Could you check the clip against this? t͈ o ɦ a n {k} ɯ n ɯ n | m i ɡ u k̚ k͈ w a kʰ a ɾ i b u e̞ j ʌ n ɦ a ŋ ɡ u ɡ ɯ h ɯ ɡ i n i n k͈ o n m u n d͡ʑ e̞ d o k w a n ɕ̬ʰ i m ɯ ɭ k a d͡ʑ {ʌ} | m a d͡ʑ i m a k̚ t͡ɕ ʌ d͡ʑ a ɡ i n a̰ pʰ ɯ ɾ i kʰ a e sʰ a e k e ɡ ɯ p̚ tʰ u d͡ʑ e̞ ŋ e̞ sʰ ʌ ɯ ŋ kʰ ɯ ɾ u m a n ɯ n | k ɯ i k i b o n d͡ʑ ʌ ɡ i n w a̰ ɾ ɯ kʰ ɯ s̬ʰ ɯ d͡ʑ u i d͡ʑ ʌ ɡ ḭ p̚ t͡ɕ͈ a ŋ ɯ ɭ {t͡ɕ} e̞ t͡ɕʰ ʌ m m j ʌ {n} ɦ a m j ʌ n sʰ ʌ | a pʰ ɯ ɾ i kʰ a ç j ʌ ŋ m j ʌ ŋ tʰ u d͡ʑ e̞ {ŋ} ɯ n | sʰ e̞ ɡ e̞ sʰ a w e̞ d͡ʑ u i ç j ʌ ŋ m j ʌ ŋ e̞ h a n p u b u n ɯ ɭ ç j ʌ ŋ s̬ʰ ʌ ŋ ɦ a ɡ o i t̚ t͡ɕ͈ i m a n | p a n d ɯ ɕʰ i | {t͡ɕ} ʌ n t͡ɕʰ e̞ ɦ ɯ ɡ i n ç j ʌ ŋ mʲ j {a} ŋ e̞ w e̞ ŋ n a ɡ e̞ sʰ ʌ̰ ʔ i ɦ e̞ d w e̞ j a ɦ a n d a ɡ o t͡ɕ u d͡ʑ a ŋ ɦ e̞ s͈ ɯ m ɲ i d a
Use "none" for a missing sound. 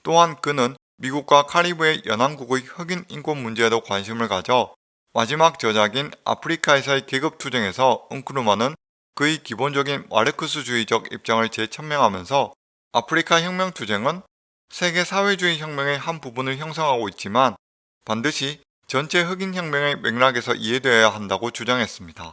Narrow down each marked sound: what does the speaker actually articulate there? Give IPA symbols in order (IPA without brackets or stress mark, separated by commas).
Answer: k, ʌ, t͡ɕ, ŋ, ŋ, t͡ɕ, ʌ